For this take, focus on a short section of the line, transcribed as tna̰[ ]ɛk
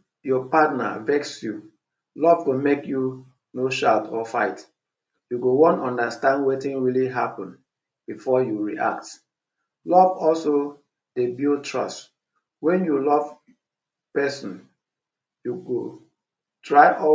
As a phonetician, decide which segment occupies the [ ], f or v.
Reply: v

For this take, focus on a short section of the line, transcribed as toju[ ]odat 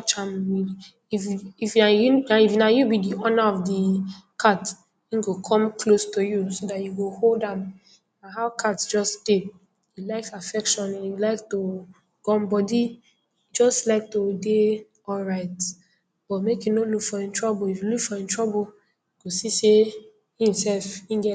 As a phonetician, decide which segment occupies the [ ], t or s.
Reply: s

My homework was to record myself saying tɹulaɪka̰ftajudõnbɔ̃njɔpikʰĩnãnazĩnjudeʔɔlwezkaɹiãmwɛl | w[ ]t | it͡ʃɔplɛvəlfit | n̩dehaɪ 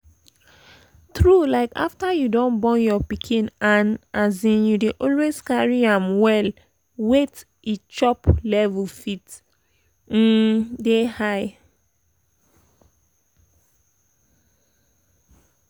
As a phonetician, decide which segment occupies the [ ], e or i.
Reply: e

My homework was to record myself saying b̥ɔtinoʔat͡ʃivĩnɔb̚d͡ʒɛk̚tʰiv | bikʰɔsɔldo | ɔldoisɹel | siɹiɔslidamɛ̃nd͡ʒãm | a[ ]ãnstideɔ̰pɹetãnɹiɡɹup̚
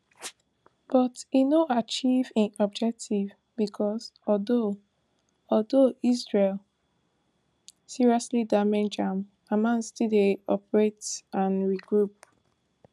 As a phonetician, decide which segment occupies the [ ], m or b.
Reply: m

